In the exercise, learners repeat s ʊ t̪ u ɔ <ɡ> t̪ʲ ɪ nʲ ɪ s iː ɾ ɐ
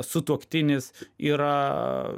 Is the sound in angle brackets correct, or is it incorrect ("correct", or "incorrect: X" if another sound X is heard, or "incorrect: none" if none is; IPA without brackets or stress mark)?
incorrect: k